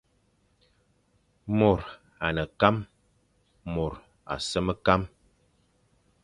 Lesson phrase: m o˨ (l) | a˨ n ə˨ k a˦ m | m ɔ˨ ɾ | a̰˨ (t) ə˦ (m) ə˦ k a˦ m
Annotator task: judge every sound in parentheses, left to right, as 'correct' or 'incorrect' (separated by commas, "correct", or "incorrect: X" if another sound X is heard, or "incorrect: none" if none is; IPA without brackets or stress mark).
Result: incorrect: ɾ, incorrect: s, correct